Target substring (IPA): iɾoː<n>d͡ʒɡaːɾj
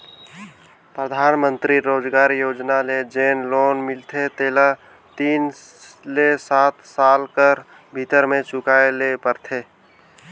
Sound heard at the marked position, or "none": none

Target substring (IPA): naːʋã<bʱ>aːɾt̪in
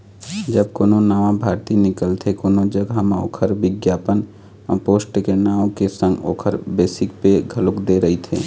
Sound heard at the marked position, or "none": bʱ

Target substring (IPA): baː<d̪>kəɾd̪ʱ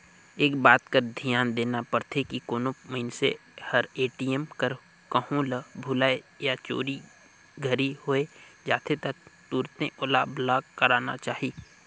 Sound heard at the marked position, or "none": t̪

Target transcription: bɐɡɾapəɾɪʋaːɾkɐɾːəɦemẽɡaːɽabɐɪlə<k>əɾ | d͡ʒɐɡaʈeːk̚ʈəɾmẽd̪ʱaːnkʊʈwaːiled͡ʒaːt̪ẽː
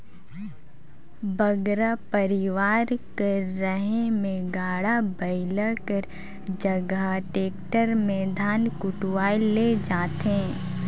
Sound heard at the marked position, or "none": k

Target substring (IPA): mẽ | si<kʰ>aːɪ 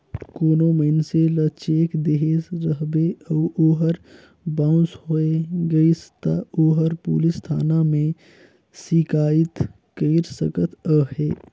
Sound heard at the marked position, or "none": k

